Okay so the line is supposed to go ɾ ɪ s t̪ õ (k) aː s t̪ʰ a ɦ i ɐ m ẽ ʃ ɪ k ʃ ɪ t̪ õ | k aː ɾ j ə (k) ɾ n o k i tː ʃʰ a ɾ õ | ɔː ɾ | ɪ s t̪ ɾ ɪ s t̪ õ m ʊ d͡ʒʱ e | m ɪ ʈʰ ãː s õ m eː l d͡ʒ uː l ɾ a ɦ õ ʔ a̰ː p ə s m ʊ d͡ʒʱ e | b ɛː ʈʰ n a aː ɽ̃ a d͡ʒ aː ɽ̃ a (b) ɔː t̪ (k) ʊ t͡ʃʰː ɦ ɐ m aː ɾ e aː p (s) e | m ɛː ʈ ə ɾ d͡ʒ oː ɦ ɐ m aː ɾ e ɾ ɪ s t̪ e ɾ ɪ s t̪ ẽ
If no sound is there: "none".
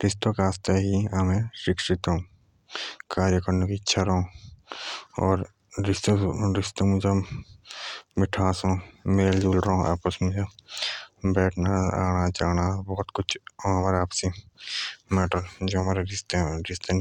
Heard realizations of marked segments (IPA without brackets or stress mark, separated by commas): k, k, b, k, s